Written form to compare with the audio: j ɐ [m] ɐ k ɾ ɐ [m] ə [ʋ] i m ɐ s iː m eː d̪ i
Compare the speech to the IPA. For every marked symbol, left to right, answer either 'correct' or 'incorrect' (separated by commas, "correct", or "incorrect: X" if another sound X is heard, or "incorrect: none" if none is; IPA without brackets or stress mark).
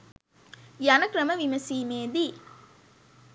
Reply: incorrect: n, correct, correct